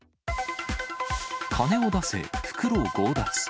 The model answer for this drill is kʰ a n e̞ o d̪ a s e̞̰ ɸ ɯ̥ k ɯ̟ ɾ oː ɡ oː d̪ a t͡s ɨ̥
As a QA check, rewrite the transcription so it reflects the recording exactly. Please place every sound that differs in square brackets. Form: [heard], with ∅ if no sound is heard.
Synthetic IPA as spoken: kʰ a n e̞ o d̪ a s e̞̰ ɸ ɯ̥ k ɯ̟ ɾ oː ɡ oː d̪ a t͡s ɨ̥